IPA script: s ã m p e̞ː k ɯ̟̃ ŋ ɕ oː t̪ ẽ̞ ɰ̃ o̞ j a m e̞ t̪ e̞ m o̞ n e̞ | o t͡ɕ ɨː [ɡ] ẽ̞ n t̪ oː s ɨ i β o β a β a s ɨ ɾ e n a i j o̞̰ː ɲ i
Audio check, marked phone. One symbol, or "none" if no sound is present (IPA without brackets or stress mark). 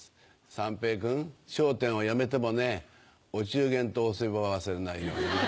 ɡ